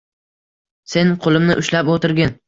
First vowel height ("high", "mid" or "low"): mid